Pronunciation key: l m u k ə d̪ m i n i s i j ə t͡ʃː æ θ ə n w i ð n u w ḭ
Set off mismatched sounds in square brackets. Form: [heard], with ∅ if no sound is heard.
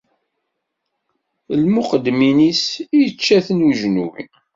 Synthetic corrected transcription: l m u [q] ə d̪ m i n i s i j ə t͡ʃː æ θ ə n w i [ʒ] n u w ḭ